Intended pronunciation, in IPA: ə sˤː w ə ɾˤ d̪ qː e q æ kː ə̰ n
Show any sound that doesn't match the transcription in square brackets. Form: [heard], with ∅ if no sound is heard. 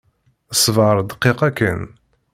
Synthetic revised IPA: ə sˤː [v] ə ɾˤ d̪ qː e q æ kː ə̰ n